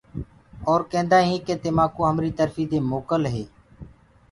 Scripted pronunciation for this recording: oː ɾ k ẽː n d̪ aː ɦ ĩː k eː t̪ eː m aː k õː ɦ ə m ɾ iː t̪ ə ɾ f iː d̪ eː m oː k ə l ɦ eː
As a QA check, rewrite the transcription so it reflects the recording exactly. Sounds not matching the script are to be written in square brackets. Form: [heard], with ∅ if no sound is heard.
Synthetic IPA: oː ɾ k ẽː n d̪ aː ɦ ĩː k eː t̪ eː m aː k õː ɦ ə m ɾ iː t̪ ə ɾ f iː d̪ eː m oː k ə l ɦ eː